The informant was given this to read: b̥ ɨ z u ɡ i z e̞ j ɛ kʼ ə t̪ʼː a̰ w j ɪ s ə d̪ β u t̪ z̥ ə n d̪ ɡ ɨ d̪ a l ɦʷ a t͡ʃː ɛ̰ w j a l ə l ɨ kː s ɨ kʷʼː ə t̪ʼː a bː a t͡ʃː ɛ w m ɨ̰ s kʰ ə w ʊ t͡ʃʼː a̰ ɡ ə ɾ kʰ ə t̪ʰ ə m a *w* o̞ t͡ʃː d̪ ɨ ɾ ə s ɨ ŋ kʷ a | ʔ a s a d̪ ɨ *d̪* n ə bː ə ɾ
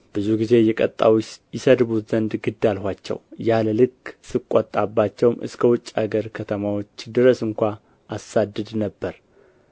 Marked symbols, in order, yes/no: yes, yes

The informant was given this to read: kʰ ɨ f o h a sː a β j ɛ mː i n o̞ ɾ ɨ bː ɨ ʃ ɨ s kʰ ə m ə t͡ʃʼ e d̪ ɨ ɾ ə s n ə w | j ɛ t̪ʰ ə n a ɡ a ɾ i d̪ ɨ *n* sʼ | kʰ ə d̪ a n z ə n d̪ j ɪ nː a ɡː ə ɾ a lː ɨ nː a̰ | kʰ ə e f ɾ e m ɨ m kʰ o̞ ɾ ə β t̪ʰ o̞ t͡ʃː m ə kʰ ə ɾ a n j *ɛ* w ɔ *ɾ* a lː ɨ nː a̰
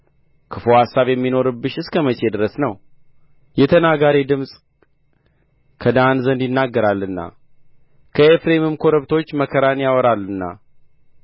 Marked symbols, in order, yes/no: no, no, yes

